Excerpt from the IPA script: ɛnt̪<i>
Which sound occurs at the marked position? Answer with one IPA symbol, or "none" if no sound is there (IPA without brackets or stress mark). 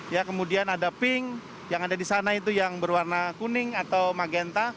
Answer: a